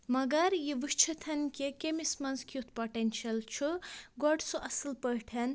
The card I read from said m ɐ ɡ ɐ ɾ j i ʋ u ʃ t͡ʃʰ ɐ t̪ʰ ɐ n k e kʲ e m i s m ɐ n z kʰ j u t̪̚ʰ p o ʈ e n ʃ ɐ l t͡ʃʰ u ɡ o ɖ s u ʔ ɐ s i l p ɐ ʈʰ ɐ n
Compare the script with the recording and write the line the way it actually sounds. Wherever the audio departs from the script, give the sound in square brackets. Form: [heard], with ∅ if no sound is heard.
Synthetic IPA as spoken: m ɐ ɡ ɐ ɾ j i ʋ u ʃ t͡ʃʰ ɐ t̪ʰ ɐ n k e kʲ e m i s m ɐ n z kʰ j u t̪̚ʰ p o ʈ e n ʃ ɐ l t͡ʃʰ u ɡ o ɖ s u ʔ ɐ s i l p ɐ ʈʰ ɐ n